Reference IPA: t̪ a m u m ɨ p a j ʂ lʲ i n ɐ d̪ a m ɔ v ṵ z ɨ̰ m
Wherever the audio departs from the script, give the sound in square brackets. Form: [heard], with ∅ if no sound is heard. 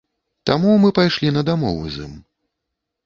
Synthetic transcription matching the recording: t̪ a m u m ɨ p a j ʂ lʲ i n ɐ d̪ a m ɔ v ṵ z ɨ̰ m